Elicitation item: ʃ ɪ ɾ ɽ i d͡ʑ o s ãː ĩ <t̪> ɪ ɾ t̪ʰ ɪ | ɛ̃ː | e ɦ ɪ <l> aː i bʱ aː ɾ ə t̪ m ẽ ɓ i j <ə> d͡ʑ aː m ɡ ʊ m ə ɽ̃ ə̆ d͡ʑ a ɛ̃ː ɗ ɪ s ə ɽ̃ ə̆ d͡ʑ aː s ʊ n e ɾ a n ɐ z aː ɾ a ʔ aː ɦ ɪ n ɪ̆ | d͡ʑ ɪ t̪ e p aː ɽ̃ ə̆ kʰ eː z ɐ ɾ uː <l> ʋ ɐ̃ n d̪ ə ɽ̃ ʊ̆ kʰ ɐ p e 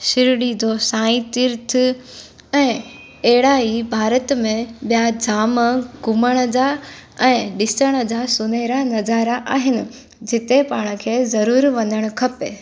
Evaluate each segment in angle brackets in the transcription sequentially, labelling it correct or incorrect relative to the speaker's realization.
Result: correct, incorrect: ɽ, incorrect: a, incorrect: ɾ

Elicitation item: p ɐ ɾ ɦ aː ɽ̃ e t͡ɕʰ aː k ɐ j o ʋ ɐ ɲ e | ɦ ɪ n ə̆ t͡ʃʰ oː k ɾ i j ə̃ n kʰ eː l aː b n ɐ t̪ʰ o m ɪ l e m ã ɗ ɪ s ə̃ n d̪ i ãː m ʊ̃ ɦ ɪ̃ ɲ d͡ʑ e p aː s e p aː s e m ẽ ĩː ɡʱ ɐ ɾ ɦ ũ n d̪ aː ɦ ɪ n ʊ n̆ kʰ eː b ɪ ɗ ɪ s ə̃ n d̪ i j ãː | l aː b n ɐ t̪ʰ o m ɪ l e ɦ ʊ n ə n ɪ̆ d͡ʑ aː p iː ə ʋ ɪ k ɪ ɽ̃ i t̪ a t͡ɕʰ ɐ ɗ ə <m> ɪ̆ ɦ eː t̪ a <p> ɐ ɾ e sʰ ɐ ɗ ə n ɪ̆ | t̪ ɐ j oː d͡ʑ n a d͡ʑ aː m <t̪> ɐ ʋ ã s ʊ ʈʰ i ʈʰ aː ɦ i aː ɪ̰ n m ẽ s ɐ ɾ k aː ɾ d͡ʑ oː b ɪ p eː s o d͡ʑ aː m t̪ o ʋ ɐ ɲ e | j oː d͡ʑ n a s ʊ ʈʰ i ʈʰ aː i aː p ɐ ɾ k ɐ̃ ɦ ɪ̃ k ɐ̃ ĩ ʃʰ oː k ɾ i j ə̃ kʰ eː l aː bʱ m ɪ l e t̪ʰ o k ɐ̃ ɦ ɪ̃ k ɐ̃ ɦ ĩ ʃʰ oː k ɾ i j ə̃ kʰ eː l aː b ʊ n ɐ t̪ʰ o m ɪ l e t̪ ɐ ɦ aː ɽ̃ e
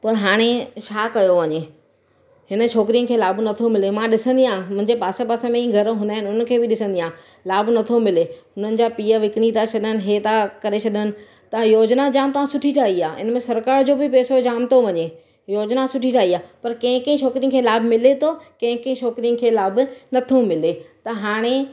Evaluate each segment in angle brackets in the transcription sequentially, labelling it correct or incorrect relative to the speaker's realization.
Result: incorrect: n, incorrect: k, correct

